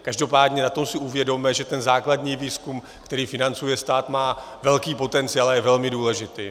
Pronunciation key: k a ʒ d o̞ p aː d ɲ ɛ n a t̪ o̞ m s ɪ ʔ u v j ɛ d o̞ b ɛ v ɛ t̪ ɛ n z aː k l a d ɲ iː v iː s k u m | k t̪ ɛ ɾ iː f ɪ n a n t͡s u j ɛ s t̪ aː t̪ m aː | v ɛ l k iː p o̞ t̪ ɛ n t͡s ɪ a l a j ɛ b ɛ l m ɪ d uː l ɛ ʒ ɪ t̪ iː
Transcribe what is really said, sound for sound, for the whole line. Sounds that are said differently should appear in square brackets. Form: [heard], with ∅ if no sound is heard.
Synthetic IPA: k a ʒ d o̞ p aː d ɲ ɛ n a t̪ o̞ m s ɪ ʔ u v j ɛ d o̞ [m] ɛ [ʒ] ɛ t̪ ɛ n z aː k l a d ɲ iː v iː s k u m | k t̪ ɛ ɾ iː f ɪ n a n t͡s u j ɛ s t̪ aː t̪ m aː | v ɛ l k iː p o̞ t̪ ɛ n t͡s ɪ a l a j ɛ [v] ɛ l m ɪ d uː l ɛ ʒ ɪ t̪ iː